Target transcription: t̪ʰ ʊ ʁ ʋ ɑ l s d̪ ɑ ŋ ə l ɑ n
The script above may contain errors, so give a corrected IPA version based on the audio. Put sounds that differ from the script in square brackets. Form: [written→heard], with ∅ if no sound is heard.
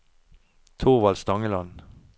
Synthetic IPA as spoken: t̪ʰ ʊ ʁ ʋ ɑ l s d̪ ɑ ŋ ə l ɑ n